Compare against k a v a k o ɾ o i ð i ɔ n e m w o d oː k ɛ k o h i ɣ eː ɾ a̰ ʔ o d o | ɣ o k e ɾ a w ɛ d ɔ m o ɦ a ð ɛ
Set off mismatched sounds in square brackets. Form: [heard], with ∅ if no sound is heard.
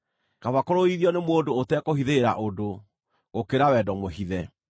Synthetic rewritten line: k a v a k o ɾ o i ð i ɔ n e m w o d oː [t] ɛ k o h i [ð] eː ɾ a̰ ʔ o d o | ɣ o k e ɾ a w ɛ d ɔ m o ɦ [i] ð ɛ